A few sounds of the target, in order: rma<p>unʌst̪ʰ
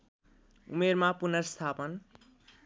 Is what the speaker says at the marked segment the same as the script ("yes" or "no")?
yes